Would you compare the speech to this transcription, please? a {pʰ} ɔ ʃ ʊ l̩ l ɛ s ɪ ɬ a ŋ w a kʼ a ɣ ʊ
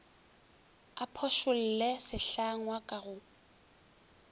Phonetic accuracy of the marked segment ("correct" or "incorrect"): correct